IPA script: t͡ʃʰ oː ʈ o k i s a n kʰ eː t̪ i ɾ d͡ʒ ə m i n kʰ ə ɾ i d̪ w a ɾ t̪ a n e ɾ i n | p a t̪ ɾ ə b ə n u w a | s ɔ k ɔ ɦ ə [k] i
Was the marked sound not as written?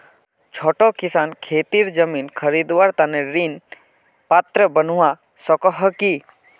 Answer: no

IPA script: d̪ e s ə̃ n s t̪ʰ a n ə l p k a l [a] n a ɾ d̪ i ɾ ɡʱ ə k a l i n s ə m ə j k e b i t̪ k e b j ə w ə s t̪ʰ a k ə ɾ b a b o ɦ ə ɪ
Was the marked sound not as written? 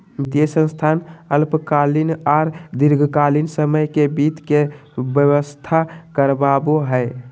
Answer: yes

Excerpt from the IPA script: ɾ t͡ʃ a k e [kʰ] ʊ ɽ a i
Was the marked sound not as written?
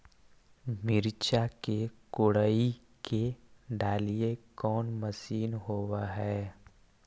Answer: yes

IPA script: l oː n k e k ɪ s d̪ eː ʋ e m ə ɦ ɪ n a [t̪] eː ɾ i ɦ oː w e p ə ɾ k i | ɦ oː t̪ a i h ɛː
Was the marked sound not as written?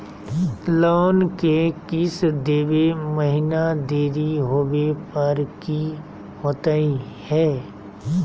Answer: yes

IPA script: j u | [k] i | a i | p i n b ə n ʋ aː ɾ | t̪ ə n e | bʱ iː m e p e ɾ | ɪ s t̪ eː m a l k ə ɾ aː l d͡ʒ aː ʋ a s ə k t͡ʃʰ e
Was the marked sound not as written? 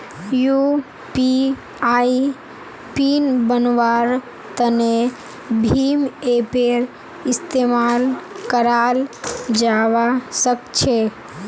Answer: yes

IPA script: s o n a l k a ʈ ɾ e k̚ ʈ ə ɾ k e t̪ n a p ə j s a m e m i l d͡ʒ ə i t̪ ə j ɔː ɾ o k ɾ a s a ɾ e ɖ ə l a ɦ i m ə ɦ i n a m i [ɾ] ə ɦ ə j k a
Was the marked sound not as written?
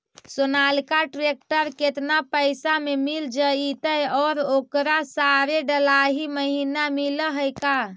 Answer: yes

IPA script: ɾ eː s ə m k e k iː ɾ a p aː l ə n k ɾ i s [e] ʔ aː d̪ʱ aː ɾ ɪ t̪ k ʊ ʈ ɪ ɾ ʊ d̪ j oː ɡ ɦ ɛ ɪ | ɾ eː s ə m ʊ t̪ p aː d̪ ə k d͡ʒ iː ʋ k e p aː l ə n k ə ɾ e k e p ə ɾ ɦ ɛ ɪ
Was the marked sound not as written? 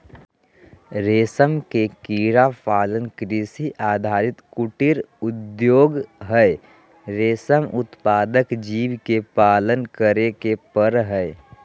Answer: yes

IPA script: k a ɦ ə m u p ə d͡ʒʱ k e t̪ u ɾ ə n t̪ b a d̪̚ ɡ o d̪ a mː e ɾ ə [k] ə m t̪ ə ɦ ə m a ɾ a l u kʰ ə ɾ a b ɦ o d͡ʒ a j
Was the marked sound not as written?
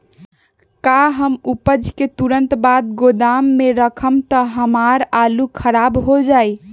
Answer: yes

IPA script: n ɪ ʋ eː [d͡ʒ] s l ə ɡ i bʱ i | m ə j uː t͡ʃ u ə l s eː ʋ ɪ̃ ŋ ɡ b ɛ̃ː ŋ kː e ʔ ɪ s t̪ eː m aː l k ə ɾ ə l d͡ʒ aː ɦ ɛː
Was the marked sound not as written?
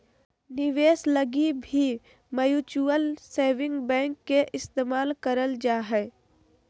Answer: yes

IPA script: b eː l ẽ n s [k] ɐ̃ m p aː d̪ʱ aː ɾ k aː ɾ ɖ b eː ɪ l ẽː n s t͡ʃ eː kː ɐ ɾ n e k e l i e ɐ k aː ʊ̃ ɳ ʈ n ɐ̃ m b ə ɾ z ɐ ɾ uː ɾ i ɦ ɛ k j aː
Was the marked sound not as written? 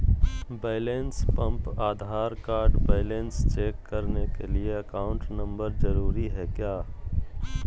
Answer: yes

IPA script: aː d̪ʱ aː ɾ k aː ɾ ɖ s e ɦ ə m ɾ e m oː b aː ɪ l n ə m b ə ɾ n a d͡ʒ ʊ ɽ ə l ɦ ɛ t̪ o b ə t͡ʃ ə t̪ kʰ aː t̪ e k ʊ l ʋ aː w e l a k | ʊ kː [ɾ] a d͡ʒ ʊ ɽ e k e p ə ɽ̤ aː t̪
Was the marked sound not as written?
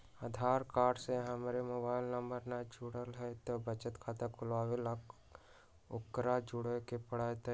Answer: no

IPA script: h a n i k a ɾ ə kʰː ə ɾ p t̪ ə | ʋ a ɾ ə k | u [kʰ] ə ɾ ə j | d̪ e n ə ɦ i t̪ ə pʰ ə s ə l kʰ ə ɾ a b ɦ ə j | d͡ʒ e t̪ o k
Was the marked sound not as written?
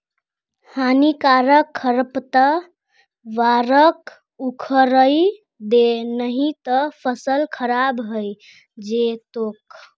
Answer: no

